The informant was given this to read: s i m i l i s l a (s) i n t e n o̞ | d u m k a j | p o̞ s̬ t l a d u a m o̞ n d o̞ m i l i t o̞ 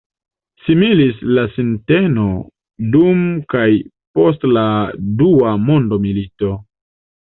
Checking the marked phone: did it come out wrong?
no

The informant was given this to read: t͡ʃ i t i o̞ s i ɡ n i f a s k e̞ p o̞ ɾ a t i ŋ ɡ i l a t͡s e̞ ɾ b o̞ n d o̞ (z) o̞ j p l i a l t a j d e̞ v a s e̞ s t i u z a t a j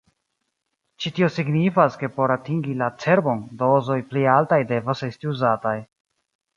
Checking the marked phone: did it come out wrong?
no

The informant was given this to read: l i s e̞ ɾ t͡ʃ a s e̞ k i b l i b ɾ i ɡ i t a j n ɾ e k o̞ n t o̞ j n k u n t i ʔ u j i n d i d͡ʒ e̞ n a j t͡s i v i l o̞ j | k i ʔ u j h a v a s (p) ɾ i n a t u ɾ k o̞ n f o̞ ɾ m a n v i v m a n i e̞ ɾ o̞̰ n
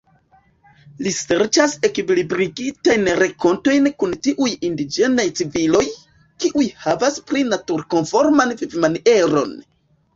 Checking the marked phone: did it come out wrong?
no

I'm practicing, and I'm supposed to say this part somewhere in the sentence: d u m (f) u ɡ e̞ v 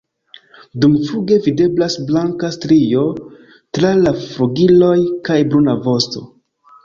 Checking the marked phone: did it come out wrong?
no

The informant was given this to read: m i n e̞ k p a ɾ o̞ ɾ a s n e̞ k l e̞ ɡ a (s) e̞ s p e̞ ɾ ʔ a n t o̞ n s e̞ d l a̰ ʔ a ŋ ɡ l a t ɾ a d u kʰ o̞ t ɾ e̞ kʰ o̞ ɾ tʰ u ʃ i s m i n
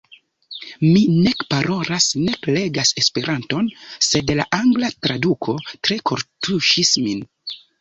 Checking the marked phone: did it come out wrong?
no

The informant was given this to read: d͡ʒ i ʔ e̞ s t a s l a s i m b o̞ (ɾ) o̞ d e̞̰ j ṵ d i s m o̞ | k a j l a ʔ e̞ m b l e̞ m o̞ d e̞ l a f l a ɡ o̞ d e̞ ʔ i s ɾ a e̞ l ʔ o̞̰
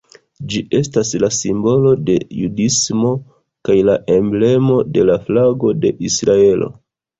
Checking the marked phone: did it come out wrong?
yes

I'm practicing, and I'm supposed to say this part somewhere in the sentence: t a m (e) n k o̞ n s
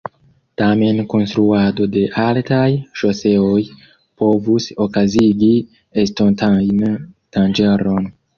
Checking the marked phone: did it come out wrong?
no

